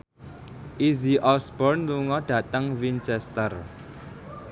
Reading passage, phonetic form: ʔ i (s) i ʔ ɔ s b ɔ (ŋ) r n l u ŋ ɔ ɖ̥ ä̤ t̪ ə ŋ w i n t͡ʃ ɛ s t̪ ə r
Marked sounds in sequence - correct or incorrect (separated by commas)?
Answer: incorrect, incorrect